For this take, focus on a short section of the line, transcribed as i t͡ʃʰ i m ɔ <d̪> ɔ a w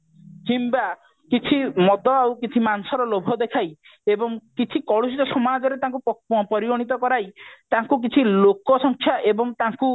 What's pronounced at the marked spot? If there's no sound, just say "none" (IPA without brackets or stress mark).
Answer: d̪